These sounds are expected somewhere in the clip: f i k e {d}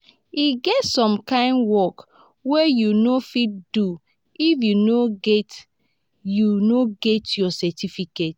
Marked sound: incorrect: t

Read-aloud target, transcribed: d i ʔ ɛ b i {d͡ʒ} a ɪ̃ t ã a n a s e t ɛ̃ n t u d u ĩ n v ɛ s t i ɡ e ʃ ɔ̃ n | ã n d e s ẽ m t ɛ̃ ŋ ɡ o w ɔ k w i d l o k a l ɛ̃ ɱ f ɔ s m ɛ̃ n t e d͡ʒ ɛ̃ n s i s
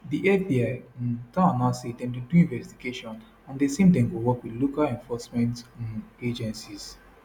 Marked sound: incorrect: none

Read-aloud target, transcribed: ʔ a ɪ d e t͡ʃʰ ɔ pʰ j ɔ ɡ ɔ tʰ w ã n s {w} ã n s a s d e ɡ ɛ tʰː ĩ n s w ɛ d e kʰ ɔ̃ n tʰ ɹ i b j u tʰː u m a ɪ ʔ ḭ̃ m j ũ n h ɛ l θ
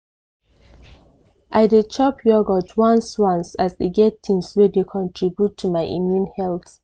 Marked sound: correct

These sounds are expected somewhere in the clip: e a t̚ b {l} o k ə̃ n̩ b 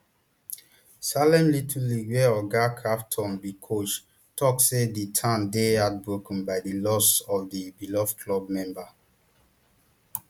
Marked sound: incorrect: ɹ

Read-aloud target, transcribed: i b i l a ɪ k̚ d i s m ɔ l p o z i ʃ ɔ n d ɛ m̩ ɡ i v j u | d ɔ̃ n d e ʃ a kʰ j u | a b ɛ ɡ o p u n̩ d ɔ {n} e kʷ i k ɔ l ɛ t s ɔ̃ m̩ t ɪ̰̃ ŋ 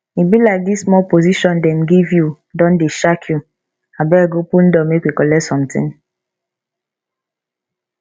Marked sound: incorrect: m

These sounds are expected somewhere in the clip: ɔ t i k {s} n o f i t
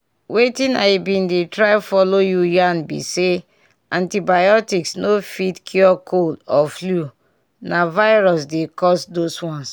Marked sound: correct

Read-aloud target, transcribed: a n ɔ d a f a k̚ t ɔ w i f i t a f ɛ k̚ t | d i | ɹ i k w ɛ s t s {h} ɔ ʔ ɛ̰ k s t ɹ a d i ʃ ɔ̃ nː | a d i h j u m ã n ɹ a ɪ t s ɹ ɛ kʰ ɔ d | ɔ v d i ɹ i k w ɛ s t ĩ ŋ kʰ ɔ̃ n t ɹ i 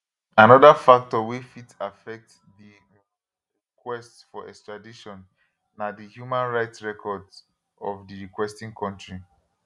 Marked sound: incorrect: f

